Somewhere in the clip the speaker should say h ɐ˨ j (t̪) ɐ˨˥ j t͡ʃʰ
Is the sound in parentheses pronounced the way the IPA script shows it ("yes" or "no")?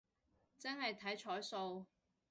no